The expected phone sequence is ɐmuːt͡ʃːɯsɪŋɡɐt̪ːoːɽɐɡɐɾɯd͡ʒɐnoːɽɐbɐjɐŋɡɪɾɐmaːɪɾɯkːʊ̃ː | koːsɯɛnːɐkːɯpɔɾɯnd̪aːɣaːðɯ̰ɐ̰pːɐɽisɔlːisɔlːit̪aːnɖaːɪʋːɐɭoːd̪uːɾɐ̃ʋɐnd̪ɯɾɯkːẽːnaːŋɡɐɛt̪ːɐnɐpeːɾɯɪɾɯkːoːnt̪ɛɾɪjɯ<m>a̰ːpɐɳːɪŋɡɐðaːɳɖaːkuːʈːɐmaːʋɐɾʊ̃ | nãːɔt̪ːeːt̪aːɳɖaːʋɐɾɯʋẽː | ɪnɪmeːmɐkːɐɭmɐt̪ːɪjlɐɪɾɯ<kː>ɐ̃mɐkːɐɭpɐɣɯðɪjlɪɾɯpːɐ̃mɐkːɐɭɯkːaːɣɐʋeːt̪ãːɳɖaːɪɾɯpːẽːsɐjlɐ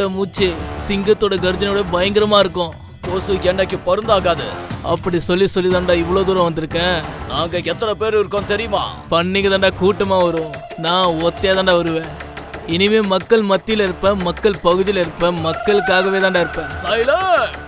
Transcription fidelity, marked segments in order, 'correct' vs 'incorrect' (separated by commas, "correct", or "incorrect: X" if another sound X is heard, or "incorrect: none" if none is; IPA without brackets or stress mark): correct, incorrect: pː